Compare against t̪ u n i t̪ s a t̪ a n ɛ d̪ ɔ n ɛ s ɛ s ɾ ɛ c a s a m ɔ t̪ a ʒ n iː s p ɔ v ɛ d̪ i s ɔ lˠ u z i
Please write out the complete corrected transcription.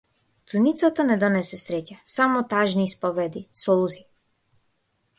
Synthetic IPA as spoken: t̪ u n i t̪ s a t̪ a n ɛ d̪ ɔ n ɛ s ɛ s ɾ ɛ c a s a m ɔ t̪ a ʒ n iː s p ɔ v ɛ d̪ i s ɔ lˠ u z i